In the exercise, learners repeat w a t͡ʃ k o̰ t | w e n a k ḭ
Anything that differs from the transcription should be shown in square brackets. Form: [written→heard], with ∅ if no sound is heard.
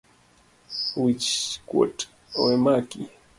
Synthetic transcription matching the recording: w [a→i] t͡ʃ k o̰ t | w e [n→m] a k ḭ

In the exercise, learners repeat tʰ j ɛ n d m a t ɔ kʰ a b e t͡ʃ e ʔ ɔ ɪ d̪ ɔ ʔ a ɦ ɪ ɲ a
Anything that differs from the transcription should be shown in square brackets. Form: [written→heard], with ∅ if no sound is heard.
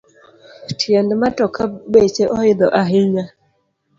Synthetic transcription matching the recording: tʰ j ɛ n d m a t ɔ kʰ a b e t͡ʃ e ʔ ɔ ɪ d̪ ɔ ʔ a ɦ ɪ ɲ a

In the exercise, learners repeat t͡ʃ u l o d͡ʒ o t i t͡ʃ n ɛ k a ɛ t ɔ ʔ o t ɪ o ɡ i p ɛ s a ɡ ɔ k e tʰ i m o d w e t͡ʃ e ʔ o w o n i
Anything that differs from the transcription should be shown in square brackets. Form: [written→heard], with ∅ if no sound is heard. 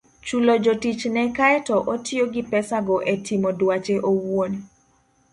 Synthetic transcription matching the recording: t͡ʃ u l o d͡ʒ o t i t͡ʃ n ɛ k a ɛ t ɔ ʔ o t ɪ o ɡ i p ɛ s a ɡ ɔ [k→ʔ] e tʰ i m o d w [e→a] t͡ʃ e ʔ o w o n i

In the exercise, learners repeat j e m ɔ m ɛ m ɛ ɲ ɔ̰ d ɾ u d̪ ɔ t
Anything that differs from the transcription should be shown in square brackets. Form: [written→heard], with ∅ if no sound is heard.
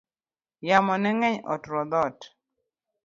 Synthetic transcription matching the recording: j [e→a] m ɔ [m→n] ɛ [m→ŋ] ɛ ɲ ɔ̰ [d→t] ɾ [u→ɔ] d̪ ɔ t

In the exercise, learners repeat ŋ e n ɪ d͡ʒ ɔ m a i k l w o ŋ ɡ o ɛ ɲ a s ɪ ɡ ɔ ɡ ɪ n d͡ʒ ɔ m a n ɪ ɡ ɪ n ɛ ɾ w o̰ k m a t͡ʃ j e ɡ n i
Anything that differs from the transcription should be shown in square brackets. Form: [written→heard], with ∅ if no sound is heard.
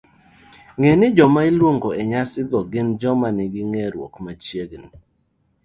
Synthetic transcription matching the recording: ŋ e n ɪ d͡ʒ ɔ m a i [k→∅] l w o ŋ ɡ o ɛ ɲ a s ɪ ɡ ɔ ɡ ɪ n d͡ʒ ɔ m a n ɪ ɡ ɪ [n→ŋ] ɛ ɾ w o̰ k m a t͡ʃ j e ɡ n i

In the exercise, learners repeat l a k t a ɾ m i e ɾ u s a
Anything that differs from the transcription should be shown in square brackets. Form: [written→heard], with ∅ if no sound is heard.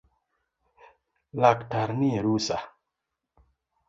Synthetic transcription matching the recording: l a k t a ɾ [m→n] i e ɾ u s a

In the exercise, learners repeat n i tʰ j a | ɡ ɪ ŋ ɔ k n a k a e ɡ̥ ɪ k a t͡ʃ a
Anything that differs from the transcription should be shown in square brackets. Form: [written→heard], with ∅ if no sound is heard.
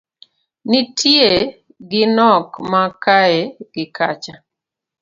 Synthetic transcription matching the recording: n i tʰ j [a→e] | ɡ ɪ [ŋ→n] ɔ k [n→m] a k a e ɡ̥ ɪ k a t͡ʃ a

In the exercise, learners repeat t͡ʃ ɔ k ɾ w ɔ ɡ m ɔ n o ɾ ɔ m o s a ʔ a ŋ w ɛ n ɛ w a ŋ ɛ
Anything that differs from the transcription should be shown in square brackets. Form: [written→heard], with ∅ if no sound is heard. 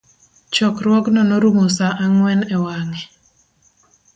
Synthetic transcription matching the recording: t͡ʃ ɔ k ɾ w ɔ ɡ [m→n] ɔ n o ɾ [ɔ→u] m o s a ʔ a ŋ w ɛ n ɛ w a ŋ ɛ

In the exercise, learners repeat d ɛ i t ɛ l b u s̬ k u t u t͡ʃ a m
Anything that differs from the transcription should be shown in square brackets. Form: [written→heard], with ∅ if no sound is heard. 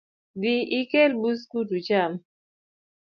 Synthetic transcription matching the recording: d [ɛ→i] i [t→k] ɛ l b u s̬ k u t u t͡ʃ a m

